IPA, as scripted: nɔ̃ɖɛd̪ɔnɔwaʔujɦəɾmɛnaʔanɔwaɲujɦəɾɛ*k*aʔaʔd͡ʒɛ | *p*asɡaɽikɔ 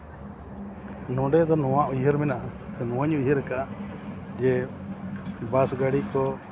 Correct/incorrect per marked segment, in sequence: correct, incorrect

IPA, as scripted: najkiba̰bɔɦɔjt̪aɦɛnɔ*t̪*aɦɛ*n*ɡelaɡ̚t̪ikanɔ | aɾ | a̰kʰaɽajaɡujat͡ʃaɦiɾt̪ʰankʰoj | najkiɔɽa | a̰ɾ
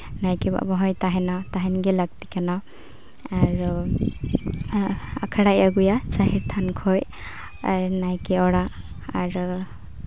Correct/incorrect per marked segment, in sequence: correct, correct

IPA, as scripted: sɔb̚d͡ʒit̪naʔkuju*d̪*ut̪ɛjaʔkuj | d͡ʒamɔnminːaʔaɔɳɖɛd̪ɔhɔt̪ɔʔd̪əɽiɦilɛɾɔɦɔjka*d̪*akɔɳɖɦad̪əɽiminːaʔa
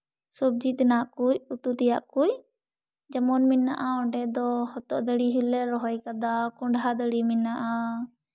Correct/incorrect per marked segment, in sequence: incorrect, correct

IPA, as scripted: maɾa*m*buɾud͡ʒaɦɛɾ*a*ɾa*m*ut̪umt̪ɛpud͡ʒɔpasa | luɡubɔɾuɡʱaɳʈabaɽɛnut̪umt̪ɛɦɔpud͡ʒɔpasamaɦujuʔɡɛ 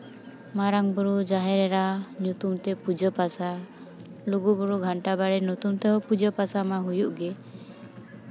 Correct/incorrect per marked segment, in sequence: incorrect, incorrect, incorrect

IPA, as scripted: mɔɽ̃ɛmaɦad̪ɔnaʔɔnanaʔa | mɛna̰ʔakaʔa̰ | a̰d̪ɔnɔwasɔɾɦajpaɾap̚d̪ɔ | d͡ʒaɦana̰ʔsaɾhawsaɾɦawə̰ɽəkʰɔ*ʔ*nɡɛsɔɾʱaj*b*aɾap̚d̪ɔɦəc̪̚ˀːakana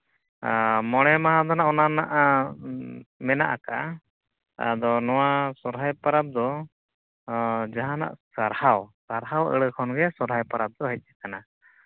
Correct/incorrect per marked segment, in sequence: incorrect, incorrect

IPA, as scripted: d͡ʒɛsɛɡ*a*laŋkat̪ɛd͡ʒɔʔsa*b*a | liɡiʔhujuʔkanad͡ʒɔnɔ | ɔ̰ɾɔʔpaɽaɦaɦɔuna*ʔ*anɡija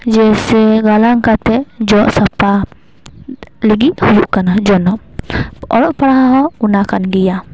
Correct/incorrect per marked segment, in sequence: correct, incorrect, incorrect

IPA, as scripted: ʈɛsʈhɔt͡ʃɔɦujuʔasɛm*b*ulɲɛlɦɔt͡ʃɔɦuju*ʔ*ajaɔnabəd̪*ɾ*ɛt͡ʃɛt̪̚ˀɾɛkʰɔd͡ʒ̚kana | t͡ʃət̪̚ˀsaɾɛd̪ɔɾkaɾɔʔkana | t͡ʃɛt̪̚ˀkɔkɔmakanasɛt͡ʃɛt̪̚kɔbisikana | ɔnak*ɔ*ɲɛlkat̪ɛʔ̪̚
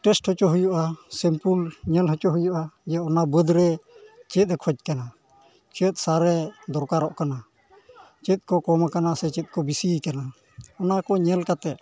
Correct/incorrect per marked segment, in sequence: incorrect, correct, correct, correct

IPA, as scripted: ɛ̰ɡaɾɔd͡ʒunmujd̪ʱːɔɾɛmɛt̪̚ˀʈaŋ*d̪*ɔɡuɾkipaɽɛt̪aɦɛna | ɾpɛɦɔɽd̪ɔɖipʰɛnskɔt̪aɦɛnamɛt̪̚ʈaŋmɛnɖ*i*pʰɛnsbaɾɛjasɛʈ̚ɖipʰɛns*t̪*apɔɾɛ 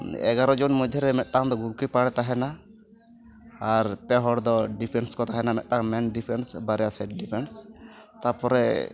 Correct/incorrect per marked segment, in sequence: correct, correct, correct

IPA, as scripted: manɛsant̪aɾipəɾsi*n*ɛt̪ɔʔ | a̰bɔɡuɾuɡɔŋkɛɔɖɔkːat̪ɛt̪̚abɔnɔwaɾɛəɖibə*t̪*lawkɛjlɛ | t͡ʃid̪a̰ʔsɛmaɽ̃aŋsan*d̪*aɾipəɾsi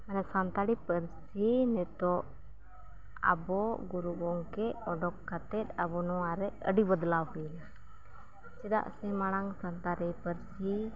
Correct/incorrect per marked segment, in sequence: correct, incorrect, incorrect

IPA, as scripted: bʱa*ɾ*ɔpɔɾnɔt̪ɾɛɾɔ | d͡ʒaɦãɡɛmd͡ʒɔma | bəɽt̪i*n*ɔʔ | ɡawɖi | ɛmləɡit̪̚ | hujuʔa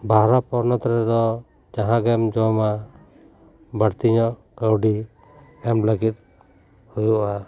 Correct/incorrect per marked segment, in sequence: correct, incorrect

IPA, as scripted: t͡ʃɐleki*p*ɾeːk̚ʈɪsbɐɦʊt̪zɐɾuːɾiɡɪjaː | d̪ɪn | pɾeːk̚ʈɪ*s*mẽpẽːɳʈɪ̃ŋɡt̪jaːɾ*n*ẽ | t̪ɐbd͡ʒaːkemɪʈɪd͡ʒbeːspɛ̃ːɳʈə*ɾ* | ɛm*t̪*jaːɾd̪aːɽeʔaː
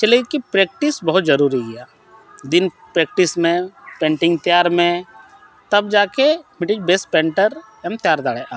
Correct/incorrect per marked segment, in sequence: correct, correct, incorrect, correct, correct

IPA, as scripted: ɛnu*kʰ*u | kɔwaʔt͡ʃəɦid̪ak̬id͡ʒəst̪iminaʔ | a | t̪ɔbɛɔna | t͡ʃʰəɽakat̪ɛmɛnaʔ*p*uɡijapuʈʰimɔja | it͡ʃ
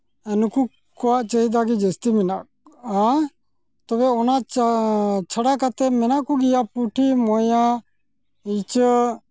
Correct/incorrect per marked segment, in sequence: incorrect, incorrect

